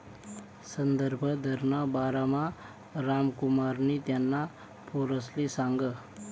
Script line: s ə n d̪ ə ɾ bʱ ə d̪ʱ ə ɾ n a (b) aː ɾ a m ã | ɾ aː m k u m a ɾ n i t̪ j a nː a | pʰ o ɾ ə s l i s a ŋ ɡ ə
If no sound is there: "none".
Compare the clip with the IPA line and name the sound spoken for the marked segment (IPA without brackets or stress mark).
b